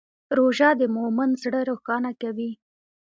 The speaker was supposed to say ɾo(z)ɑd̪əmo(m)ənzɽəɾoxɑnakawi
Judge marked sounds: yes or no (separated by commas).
no, yes